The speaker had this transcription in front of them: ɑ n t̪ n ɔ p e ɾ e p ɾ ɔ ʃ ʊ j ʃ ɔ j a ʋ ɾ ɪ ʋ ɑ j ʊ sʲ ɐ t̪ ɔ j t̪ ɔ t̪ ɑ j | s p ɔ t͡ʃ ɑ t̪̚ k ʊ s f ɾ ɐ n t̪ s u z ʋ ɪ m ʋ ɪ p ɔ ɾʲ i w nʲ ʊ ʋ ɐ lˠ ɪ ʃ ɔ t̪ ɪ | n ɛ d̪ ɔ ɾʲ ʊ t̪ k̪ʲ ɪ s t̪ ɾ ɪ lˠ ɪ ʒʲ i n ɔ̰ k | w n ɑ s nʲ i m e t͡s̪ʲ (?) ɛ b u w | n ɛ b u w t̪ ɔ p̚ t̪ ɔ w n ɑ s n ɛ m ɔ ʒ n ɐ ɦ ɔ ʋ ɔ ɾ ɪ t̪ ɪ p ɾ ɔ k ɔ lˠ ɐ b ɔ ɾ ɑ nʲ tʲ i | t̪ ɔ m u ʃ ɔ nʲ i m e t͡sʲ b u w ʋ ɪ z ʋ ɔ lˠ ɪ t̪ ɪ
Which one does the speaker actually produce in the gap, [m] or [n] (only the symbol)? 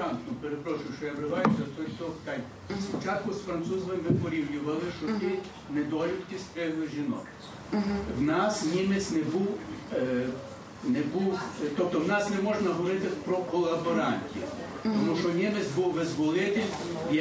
n